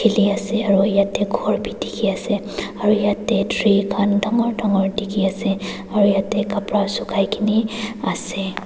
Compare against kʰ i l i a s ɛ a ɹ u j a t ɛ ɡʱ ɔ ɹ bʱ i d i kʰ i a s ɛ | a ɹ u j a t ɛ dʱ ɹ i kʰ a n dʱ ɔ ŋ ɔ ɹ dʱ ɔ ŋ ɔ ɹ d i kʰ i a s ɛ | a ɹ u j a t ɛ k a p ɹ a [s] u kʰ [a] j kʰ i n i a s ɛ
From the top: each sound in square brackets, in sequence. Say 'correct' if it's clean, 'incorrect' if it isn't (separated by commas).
correct, correct